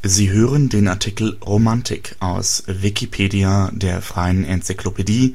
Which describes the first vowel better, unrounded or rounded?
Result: unrounded